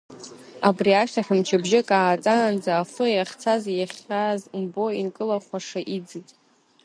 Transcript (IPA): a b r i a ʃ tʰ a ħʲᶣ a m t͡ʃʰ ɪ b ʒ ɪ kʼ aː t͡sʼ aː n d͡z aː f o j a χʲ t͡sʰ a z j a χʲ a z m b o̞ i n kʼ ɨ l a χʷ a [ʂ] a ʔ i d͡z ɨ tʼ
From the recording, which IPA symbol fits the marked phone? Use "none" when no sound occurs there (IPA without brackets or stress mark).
ʂ